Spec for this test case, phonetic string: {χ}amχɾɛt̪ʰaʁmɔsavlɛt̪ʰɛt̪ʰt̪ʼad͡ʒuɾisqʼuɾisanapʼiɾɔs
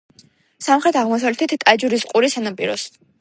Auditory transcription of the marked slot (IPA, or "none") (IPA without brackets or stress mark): s